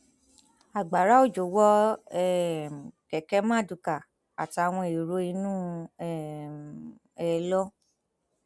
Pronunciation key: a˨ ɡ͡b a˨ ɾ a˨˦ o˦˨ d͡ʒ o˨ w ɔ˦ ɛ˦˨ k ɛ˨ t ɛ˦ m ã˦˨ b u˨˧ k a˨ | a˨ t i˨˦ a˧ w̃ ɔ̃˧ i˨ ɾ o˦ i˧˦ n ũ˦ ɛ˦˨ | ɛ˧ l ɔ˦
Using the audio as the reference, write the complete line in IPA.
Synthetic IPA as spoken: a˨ ɡ͡b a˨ ɾ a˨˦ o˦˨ d͡ʒ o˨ w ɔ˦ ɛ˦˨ k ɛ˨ k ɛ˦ m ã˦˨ d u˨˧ k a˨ | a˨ t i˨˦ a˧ w̃ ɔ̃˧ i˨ ɾ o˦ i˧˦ n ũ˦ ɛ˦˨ | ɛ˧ l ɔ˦